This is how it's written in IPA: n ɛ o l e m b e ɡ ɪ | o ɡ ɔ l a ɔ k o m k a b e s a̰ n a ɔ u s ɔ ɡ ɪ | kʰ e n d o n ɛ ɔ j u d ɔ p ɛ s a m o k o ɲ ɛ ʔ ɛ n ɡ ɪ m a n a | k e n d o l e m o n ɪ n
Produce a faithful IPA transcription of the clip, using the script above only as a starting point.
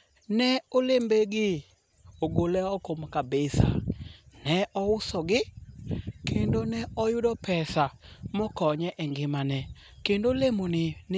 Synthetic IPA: n ɛ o l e m b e ɡ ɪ | o ɡ o l ɛ ɔ k o m k a b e s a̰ n ɛ ɔ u s ɔ ɡ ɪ | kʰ e n d o n ɛ ɔ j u d ɔ p ɛ s a m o k ɔ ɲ ɛ ʔ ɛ ŋ ɡ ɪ m a n ɛ | k e n d o l e m o n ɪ n